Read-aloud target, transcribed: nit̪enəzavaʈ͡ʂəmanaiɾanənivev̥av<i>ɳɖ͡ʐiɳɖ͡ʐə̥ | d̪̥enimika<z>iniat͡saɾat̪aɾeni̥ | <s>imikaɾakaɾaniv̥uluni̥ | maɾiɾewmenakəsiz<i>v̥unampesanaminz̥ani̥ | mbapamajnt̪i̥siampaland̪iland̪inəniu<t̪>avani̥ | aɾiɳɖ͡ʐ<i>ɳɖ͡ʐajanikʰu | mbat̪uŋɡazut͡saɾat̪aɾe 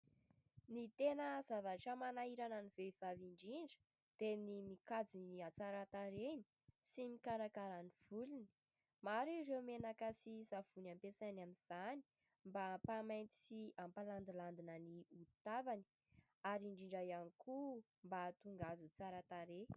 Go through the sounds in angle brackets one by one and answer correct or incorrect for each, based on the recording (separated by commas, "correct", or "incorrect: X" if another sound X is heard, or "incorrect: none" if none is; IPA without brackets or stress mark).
correct, incorrect: d͡z, correct, incorrect: a, correct, correct